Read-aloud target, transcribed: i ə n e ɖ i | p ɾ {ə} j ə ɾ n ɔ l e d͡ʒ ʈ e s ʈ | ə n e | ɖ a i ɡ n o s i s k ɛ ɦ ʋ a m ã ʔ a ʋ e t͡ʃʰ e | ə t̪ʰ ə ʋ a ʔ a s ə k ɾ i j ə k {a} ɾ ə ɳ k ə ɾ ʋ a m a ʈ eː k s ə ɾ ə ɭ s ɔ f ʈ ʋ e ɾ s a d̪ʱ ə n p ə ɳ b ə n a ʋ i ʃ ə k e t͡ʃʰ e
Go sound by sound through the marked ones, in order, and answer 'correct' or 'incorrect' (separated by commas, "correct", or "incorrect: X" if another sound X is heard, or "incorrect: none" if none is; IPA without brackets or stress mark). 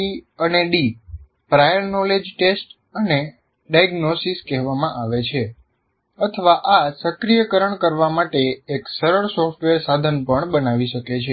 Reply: incorrect: a, incorrect: ə